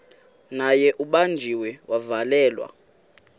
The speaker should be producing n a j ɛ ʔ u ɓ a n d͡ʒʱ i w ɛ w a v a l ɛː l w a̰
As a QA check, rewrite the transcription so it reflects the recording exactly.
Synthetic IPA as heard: n a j ɛ ʔ u ɓ a n d͡ʒʱ i w ɛ w a v a l ɛː l w a̰